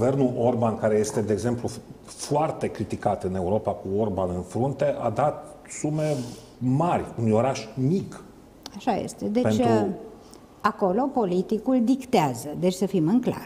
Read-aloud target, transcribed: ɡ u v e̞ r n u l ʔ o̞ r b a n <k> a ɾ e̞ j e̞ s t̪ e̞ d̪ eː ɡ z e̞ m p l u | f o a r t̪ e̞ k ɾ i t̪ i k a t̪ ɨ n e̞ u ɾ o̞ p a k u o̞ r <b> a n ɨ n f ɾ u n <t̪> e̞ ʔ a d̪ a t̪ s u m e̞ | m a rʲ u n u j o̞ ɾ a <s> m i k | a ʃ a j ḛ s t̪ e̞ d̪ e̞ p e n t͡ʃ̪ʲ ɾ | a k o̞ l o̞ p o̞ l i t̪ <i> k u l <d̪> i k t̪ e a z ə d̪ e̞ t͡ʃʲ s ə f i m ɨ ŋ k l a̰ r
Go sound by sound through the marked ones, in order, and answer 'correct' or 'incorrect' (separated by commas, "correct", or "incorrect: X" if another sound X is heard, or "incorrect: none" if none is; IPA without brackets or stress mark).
correct, correct, correct, incorrect: ʃ, correct, correct